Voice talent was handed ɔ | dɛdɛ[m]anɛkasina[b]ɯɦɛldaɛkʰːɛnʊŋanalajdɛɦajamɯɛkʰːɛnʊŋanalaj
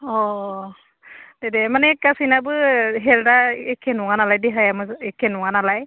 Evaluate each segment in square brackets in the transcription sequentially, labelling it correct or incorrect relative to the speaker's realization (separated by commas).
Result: correct, correct